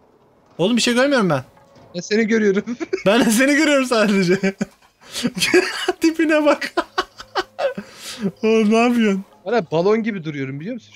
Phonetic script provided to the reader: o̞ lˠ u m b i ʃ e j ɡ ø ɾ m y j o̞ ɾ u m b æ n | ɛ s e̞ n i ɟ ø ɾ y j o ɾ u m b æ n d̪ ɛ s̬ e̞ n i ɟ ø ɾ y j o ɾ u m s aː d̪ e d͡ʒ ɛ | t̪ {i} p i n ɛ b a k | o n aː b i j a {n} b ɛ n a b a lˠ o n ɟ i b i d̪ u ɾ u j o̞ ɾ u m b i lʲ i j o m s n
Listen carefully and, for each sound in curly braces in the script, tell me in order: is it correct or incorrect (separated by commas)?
correct, correct